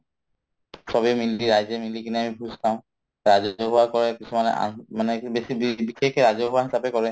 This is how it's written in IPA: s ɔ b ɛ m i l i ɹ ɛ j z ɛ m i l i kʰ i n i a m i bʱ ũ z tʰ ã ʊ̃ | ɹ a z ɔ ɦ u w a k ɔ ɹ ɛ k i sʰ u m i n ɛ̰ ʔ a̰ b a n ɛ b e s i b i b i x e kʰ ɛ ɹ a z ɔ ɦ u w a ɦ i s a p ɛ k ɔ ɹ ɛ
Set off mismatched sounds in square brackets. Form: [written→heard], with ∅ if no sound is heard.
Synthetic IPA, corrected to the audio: s ɔ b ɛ m i l i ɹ [ɛ→a] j z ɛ m i l i [kʰ→k] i n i a m i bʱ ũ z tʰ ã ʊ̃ | ɹ a z ɔ ɦ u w a k ɔ ɹ ɛ k i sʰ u m [i→a] n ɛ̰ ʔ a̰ [b→m] a n ɛ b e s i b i b i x e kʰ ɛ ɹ a z ɔ ɦ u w a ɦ i s a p ɛ k ɔ ɹ ɛ